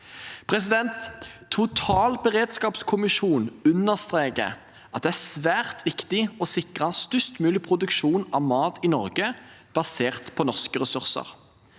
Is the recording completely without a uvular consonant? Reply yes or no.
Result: no